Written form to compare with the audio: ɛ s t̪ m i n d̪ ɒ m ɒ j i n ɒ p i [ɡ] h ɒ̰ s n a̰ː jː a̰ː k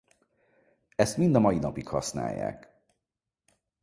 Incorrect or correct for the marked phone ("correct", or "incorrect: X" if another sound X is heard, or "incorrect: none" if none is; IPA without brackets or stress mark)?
incorrect: k